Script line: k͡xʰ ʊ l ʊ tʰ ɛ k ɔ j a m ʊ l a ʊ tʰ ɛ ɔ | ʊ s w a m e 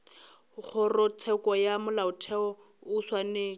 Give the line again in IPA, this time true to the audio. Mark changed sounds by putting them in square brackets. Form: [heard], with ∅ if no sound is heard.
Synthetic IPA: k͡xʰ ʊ [r] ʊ tʰ ɛ k ɔ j a m ʊ l a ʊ tʰ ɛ ɔ | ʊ s w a [n] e